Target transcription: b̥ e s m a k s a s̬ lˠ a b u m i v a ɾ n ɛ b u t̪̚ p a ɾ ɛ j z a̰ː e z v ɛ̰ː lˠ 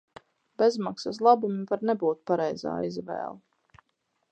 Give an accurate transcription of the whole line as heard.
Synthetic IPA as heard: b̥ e z m a k s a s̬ lˠ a b u m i v a ɾ n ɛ b uː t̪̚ p a ɾ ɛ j z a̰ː i z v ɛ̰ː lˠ